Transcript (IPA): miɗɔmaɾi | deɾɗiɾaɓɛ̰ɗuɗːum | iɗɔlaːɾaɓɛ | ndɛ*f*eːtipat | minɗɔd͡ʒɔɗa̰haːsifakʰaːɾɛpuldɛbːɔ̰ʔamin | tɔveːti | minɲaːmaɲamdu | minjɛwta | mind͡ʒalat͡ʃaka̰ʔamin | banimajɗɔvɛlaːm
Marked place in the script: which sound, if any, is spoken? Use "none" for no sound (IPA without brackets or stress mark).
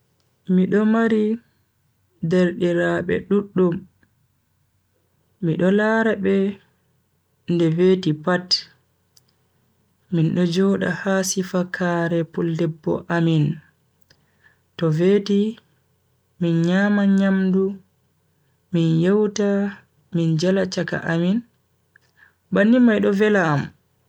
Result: v